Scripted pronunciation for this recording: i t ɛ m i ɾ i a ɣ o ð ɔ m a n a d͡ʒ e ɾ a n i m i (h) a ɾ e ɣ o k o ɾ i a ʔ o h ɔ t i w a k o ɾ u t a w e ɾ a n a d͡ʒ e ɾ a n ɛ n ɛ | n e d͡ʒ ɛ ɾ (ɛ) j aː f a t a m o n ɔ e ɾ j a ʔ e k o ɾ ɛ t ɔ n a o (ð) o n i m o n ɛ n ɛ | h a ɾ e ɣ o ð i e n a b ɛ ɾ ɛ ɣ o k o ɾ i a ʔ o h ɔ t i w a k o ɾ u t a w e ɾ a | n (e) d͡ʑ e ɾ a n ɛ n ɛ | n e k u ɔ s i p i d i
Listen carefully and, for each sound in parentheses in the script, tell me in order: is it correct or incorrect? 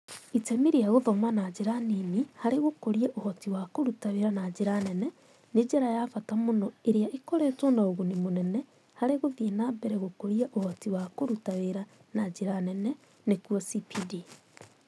correct, incorrect, incorrect, incorrect

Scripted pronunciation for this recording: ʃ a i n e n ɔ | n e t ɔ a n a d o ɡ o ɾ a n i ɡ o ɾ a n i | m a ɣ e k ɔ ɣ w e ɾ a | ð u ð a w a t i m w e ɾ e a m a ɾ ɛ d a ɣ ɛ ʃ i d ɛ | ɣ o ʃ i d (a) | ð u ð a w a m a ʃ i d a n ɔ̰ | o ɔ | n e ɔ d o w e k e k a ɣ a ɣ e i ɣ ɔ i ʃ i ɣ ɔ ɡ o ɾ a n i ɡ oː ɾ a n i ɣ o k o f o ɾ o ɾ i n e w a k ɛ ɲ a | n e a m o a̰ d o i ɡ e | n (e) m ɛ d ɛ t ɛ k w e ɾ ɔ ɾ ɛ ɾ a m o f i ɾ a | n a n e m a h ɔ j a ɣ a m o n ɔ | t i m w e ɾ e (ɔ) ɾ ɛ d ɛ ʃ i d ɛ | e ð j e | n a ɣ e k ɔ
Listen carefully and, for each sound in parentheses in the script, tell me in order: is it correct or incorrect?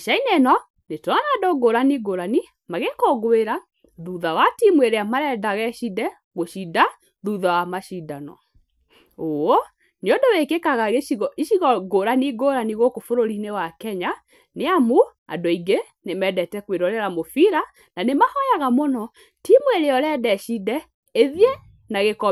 correct, correct, correct

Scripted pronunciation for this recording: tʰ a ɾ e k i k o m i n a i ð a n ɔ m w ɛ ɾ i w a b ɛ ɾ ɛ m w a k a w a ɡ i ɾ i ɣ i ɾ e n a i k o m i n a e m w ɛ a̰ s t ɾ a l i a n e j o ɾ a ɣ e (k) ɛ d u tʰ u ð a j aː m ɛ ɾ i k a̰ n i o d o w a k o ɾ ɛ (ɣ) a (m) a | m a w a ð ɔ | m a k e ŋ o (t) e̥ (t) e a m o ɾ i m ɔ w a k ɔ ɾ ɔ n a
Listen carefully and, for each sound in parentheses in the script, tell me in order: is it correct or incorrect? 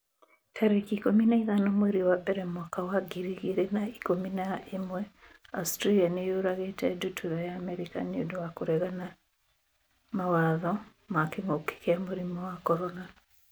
incorrect, correct, incorrect, incorrect, incorrect

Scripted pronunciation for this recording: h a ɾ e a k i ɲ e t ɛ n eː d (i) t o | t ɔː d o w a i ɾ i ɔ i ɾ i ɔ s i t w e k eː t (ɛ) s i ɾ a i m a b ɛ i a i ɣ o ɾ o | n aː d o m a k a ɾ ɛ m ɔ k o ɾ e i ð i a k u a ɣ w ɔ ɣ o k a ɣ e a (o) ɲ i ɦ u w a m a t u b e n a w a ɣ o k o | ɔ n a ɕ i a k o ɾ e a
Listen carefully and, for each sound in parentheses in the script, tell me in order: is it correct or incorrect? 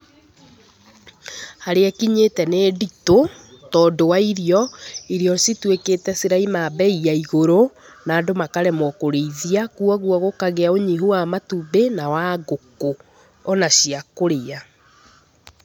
correct, correct, correct

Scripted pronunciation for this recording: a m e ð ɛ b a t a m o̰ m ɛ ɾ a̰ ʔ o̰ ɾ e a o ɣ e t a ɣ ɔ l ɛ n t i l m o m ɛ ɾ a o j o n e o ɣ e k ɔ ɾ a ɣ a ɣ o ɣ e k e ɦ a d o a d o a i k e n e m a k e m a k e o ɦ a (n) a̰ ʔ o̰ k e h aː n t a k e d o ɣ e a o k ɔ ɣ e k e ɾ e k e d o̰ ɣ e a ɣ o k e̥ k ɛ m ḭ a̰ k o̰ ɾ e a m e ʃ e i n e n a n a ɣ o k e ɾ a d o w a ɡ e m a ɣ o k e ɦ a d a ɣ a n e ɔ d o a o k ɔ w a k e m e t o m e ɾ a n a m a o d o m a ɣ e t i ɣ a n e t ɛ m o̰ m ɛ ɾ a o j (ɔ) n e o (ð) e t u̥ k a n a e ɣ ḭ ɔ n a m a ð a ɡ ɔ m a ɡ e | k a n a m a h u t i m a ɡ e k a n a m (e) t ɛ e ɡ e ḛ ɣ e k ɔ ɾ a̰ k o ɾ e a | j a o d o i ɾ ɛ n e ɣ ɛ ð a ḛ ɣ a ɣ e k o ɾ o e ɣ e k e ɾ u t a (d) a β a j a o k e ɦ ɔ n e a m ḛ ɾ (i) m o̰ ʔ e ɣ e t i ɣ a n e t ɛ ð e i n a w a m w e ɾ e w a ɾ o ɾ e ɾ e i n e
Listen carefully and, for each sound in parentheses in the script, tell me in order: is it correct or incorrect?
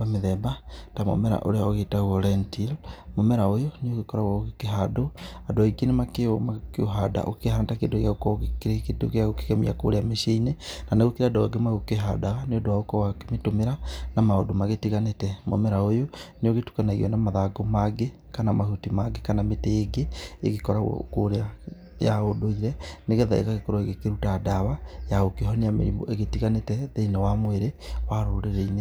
incorrect, incorrect, incorrect, correct, correct, correct

